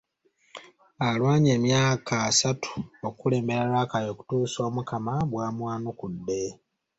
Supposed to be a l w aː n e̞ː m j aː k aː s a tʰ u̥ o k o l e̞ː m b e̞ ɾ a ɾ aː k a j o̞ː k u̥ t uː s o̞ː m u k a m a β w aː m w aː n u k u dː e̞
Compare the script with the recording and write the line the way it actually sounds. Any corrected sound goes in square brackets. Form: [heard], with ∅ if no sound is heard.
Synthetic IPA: a l w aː [ɲ] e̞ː m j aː k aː s a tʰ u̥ o k [u] l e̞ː m b e̞ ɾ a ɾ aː k a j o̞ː k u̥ t uː s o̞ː m u k a m a β w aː m w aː n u k u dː e̞